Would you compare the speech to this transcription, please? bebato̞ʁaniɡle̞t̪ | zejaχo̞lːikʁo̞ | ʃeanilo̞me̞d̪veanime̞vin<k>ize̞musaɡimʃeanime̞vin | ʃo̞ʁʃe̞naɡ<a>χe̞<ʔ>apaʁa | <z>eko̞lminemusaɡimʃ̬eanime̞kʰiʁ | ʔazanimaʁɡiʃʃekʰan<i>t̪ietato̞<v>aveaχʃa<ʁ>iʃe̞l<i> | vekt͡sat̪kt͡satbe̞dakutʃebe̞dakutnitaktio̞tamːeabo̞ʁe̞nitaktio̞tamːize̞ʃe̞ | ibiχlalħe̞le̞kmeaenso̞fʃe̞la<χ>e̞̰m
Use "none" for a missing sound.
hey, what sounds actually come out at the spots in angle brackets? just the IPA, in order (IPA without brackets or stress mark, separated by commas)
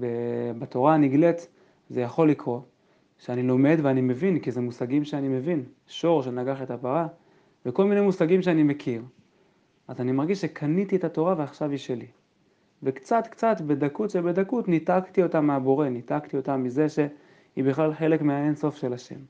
k, a, t, v, i, ʁ, v, i, ʃ